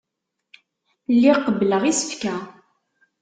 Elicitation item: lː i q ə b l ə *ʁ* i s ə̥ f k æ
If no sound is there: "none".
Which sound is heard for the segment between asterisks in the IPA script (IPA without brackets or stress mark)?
ʁ